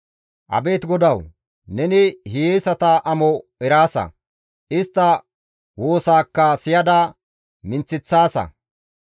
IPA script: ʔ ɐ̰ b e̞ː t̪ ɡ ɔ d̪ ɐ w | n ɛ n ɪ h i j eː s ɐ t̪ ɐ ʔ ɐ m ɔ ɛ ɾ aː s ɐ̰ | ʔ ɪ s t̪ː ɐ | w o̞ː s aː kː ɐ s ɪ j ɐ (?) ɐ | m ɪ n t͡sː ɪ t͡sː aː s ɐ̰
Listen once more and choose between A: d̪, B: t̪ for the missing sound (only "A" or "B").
A